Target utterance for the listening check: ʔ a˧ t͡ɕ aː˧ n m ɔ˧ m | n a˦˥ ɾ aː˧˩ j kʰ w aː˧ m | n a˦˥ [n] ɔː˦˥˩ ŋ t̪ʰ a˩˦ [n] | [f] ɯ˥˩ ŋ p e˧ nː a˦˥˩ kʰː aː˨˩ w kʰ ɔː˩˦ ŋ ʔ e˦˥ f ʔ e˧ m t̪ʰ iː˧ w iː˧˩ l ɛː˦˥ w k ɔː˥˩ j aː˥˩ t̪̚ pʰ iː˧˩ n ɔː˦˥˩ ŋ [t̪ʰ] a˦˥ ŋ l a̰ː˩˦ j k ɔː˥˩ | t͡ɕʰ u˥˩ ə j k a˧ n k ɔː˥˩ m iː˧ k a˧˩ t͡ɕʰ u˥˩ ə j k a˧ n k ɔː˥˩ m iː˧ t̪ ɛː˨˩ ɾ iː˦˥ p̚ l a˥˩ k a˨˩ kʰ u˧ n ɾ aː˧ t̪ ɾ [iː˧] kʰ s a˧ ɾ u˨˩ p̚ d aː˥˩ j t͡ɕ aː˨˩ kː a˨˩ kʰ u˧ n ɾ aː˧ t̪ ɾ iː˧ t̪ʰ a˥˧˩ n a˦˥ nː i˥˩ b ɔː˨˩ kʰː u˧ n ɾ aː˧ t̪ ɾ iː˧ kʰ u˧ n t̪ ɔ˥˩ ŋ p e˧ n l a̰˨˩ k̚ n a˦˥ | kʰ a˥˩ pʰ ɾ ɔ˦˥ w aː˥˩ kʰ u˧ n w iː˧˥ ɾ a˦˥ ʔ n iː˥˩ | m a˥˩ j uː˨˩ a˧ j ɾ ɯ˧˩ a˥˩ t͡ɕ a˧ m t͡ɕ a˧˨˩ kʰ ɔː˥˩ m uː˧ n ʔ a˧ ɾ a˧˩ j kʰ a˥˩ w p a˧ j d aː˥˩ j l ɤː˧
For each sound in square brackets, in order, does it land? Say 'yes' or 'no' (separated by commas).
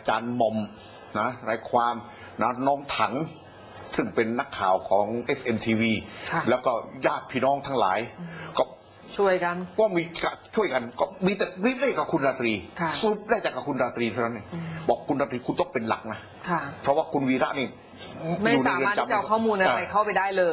yes, no, no, yes, yes